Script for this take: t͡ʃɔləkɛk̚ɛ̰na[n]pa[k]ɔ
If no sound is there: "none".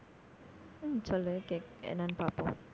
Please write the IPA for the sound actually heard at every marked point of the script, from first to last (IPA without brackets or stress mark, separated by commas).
n, p